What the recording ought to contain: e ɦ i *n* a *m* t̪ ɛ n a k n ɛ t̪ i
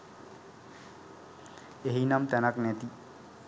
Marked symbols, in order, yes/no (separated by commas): yes, yes